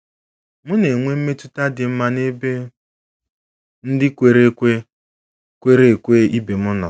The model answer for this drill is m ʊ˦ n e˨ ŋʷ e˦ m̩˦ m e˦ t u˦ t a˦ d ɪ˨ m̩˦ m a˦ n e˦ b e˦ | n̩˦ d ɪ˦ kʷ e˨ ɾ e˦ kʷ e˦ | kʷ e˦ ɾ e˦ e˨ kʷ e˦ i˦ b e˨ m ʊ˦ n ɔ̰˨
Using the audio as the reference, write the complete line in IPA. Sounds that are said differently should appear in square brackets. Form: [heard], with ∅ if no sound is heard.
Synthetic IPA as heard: m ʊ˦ n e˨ ŋʷ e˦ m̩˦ m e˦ t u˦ t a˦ d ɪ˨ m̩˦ m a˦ n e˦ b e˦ | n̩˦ d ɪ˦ kʷ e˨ ɾ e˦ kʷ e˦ | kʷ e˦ ɾ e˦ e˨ kʷ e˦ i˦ b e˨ m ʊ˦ n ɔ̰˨